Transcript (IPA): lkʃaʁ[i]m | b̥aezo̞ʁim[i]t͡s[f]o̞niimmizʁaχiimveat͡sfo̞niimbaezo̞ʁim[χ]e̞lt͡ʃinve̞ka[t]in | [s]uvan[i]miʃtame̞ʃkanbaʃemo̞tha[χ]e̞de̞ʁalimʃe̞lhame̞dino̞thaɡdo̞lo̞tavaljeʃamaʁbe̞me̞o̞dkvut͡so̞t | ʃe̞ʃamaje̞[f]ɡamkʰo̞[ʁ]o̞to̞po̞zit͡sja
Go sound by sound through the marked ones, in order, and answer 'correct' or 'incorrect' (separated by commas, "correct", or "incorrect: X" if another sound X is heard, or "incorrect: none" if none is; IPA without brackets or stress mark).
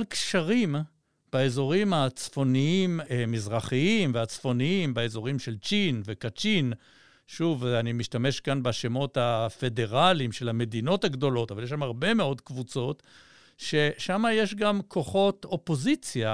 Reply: correct, incorrect: a, correct, incorrect: ʃ, incorrect: t͡ʃ, incorrect: ʃ, correct, incorrect: f, incorrect: ʃ, incorrect: χ